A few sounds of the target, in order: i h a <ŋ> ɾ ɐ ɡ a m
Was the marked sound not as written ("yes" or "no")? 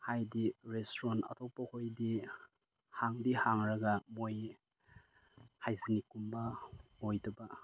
no